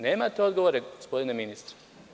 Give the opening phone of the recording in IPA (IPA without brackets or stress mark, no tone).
n